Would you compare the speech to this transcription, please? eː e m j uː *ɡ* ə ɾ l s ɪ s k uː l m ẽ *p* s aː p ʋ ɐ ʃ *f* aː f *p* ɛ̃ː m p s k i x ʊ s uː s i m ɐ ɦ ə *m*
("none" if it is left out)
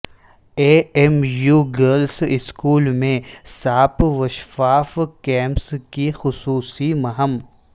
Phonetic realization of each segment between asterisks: ɡ, none, f, k, m

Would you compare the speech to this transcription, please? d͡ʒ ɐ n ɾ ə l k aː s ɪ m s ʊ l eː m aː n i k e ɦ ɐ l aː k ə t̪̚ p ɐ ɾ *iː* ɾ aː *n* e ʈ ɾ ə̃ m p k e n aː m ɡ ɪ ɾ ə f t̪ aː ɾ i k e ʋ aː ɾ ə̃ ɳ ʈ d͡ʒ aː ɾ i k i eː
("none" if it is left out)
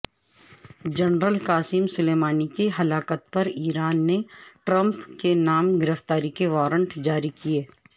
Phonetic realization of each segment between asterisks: iː, nː

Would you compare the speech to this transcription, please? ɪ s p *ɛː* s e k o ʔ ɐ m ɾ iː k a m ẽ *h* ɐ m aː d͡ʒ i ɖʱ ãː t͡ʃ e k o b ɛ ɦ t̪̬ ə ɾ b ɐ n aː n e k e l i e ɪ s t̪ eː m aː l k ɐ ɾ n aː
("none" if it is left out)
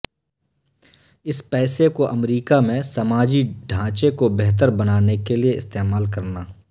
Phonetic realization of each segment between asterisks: ɛː, s

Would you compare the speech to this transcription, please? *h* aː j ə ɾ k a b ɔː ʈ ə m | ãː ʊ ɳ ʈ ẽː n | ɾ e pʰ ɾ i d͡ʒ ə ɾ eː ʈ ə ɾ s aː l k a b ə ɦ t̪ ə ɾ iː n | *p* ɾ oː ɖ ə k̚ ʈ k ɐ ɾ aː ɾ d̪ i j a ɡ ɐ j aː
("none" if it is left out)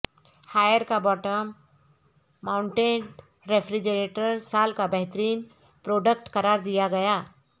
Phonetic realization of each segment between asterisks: h, p

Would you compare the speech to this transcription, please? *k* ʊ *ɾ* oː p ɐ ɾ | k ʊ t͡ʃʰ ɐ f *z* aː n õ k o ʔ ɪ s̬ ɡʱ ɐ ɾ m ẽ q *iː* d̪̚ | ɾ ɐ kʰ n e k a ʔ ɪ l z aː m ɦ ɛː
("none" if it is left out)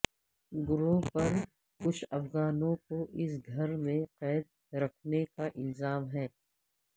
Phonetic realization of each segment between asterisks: ɡ, ɾ, ɣ, ɛː

